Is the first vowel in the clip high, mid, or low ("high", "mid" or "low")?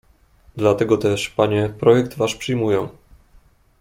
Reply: low